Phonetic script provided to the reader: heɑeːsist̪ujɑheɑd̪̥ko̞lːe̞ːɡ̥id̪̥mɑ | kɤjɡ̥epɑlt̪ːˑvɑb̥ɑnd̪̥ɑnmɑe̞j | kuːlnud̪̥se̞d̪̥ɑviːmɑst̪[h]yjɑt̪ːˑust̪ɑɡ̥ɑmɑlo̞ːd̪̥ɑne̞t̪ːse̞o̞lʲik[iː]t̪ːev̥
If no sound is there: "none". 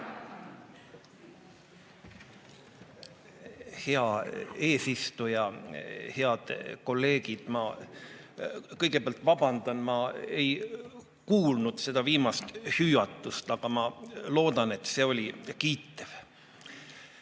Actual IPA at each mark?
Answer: h, iː

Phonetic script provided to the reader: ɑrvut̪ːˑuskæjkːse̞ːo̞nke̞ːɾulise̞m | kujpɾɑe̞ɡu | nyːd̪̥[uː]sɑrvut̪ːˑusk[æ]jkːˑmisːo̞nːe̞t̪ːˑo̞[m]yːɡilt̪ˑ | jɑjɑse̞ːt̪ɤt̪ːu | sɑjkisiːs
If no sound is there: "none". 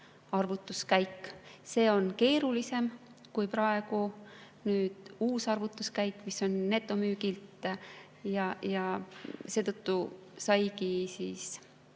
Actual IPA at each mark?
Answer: uː, æ, m

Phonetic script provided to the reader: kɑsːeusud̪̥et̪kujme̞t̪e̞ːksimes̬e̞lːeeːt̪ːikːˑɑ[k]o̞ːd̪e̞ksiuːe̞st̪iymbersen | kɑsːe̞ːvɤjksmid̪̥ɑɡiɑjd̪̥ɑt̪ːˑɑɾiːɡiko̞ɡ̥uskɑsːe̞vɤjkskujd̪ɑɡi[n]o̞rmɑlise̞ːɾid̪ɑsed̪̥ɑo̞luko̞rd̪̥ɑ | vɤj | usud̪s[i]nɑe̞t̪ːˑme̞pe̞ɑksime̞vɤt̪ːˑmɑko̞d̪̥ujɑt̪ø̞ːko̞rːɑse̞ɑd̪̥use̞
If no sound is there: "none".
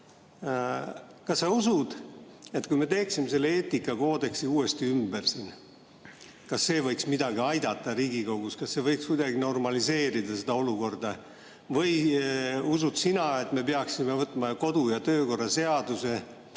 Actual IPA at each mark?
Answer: k, n, i

